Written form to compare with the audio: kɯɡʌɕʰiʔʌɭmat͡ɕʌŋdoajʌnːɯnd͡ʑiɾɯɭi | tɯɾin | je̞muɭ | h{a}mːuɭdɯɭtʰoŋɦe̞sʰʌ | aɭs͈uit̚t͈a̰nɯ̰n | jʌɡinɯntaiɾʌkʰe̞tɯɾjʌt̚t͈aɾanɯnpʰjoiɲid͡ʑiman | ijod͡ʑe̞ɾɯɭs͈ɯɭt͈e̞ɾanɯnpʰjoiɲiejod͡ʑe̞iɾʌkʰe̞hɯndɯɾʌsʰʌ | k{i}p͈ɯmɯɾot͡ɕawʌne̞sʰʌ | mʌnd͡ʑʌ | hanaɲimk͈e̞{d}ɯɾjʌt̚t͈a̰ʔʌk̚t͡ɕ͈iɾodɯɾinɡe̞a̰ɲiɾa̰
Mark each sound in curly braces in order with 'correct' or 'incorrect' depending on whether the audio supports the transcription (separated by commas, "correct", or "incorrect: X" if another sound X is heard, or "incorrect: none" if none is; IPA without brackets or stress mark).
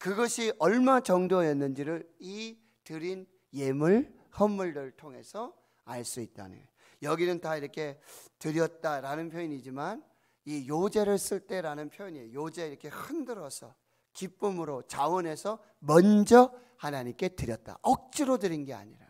incorrect: ʌ, correct, incorrect: t